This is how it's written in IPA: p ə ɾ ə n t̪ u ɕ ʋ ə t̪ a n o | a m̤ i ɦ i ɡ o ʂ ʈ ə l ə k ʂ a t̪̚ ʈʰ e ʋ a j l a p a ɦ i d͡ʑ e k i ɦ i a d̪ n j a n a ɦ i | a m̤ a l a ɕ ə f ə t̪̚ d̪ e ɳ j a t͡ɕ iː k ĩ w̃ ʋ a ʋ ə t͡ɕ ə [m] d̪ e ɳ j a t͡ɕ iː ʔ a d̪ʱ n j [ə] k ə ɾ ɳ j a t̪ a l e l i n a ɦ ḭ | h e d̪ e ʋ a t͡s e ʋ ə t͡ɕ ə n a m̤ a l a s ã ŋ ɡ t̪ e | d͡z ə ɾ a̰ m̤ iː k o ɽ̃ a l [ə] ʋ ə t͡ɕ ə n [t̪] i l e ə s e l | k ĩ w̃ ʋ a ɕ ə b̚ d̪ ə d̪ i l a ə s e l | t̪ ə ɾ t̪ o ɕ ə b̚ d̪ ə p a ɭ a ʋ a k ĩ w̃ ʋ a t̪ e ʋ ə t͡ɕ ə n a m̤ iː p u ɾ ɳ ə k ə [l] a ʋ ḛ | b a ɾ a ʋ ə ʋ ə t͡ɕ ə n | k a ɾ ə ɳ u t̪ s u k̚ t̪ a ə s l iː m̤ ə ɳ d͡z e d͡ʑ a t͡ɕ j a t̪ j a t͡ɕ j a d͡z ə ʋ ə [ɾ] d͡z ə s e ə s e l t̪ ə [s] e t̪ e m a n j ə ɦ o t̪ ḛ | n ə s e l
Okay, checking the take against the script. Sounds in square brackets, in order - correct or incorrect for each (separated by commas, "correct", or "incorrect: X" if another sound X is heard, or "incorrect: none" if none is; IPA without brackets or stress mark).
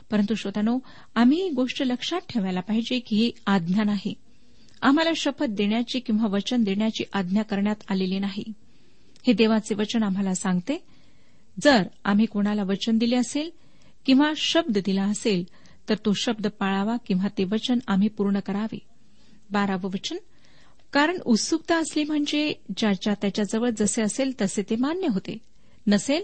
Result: incorrect: n, incorrect: a, incorrect: a, incorrect: d̪, incorrect: ɾ, incorrect: ɭ, correct